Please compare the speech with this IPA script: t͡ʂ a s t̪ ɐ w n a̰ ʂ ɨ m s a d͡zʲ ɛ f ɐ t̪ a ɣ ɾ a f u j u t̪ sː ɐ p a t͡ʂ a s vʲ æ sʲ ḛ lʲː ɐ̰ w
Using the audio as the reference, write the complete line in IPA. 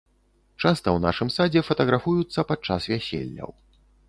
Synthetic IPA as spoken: t͡ʂ a s t̪ ɐ w n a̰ ʂ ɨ m s a d͡zʲ ɛ f ɐ t̪ ɐ ɣ ɾ a f u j u t̪ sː ɐ p a t͡ʂ a s vʲ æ sʲ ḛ lʲː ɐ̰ w